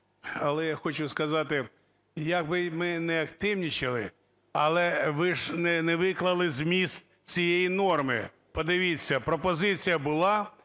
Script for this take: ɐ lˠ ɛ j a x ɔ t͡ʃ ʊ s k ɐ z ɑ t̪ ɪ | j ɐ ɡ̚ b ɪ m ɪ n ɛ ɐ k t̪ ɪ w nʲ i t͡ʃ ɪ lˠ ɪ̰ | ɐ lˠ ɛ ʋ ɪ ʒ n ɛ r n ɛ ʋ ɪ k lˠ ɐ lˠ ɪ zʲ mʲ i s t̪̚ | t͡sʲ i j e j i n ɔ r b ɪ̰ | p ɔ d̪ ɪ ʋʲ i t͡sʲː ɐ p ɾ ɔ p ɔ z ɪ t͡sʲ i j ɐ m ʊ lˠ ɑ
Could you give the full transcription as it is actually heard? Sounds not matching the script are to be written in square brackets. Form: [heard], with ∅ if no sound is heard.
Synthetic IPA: ɐ lˠ ɛ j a x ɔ t͡ʃ ʊ s k ɐ z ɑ t̪ ɪ | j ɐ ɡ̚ b ɪ m ɪ n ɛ ɐ k t̪ ɪ w nʲ i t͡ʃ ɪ lˠ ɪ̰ | ɐ lˠ ɛ ʋ ɪ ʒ n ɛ [∅] n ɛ ʋ ɪ k lˠ ɐ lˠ ɪ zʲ mʲ i s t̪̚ | t͡sʲ i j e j i n ɔ r [m] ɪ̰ | p ɔ d̪ ɪ ʋʲ i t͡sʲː ɐ p ɾ ɔ p ɔ z ɪ t͡sʲ i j ɐ [b] ʊ lˠ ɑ

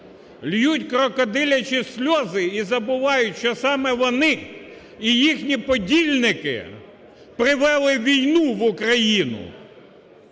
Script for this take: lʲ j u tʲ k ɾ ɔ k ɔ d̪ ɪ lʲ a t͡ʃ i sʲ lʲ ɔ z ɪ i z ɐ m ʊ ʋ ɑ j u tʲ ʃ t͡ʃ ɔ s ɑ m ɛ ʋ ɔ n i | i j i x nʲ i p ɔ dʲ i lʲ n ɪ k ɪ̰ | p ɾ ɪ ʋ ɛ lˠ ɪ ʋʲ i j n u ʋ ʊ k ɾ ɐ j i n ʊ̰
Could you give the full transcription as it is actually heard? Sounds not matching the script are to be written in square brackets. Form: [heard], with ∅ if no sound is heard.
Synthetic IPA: lʲ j u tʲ k ɾ ɔ k ɔ d̪ ɪ lʲ [ɐ] t͡ʃ i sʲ lʲ ɔ z ɪ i z ɐ [b] ʊ ʋ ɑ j [ʊ] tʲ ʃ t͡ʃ ɔ s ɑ m ɛ ʋ ɔ n [ɪ] | i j i x nʲ i p ɔ dʲ i lʲ n ɪ k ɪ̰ | p ɾ ɪ ʋ ɛ lˠ ɪ ʋʲ i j n u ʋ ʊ k ɾ ɐ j i n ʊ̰

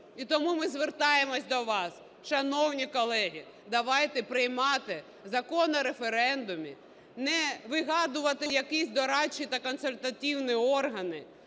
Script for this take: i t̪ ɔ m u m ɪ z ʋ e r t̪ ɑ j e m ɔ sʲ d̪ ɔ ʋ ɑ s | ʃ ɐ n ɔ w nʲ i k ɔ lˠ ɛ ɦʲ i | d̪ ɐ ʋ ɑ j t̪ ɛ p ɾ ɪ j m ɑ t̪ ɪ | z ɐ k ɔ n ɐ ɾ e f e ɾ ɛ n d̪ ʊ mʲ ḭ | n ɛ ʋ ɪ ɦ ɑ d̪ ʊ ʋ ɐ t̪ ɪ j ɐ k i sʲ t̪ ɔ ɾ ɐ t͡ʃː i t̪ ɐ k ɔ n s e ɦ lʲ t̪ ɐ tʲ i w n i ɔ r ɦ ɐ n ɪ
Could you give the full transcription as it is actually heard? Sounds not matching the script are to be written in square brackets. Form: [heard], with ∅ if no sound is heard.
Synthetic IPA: i t̪ ɔ m u m ɪ z ʋ e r t̪ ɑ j e m ɔ sʲ d̪ ɔ ʋ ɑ s | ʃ ɐ n ɔ w nʲ i k ɔ lˠ ɛ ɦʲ i | d̪ ɐ ʋ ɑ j t̪ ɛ p ɾ ɪ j m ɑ t̪ ɪ | z ɐ k ɔ n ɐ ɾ e f e ɾ ɛ n d̪ ʊ mʲ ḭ | n ɛ ʋ ɪ ɦ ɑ d̪ ʊ ʋ ɐ t̪ ɪ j ɐ k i sʲ [d̪] ɔ ɾ [ɑ] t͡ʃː i t̪ ɐ k ɔ n s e [∅] lʲ t̪ ɐ tʲ i w n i ɔ r ɦ ɐ n ɪ

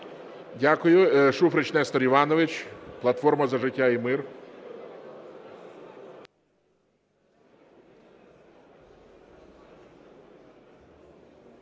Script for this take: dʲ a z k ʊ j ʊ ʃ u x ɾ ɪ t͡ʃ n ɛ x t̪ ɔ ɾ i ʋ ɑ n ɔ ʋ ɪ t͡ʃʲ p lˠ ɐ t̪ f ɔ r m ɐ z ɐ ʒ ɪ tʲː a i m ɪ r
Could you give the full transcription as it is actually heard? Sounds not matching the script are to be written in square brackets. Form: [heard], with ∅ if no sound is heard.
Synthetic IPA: dʲ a [∅] k ʊ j ʊ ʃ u [f] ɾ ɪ t͡ʃ n ɛ [s] t̪ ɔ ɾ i ʋ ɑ n ɔ ʋ ɪ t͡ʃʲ p lˠ ɐ t̪ f ɔ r m ɐ z ɐ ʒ ɪ tʲː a i m ɪ r

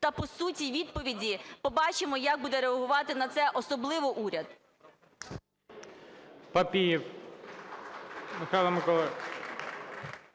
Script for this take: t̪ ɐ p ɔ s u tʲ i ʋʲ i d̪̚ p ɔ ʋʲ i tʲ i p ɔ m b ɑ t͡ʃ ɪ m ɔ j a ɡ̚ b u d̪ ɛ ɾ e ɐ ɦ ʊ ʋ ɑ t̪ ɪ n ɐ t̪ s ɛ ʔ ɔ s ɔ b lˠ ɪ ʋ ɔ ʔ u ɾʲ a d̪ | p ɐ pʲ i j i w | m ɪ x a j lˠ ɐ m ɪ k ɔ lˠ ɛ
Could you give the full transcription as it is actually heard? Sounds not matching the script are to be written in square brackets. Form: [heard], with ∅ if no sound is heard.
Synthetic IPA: t̪ ɐ p ɔ s u tʲ i ʋʲ i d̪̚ p ɔ ʋʲ i [dʲ] i p ɔ [∅] b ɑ t͡ʃ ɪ m ɔ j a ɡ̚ b u d̪ ɛ ɾ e ɐ ɦ ʊ ʋ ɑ t̪ ɪ n ɐ t̪ s ɛ ʔ ɔ s ɔ b lˠ ɪ ʋ ɔ ʔ u ɾʲ [ɐ] d̪ | p ɐ pʲ i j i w | m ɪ x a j lˠ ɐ m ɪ k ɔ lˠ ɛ

